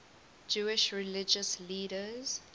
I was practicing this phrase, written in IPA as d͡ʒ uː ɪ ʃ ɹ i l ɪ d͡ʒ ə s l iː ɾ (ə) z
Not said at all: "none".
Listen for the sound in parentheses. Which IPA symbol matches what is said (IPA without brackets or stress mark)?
ə